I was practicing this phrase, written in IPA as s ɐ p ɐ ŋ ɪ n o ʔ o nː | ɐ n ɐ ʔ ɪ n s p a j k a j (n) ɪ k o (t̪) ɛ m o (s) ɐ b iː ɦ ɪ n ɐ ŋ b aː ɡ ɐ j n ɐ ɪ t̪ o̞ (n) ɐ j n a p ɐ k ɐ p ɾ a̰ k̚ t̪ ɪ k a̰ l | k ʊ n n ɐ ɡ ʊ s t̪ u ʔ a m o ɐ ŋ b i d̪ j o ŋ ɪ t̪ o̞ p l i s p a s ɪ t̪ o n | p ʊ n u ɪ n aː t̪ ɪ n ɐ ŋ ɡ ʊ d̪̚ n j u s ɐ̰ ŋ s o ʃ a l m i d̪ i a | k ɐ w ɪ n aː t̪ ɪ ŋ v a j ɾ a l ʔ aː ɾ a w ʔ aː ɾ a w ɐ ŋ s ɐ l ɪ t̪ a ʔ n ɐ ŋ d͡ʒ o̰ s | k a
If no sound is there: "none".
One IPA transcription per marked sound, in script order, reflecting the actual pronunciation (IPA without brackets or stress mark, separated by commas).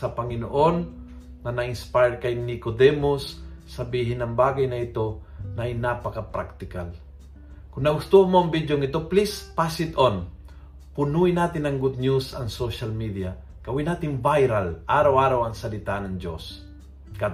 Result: n, d̪, sː, n